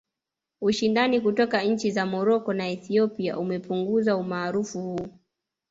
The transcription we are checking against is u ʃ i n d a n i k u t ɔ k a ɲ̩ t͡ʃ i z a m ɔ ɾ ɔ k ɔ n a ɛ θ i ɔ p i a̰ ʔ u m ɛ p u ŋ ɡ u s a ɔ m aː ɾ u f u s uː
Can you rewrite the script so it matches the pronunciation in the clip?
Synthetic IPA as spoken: u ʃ i n d a n i k u t ɔ k a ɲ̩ t͡ʃ i z a m ɔ ɾ ɔ k ɔ n a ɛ θ i ɔ p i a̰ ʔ u m ɛ p u ŋ ɡ u z a u m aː ɾ u f u h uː